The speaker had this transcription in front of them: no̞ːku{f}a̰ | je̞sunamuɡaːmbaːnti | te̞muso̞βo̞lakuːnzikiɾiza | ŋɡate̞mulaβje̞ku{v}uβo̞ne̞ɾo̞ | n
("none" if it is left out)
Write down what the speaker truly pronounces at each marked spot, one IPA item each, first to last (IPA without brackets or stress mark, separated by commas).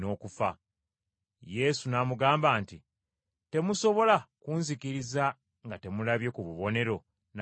f, β